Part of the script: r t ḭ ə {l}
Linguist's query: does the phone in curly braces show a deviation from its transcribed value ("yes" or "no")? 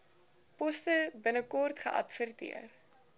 yes